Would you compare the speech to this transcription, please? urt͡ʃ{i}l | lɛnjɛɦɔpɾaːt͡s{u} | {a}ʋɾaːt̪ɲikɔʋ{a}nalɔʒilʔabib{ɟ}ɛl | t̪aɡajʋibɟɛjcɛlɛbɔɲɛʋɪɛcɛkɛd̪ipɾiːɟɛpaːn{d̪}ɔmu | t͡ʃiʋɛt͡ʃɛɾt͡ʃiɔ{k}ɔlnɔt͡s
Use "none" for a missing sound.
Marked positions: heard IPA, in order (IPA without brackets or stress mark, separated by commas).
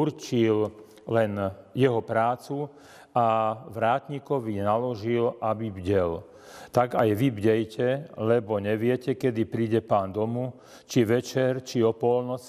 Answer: i, u, a, i, ɟ, d̪, p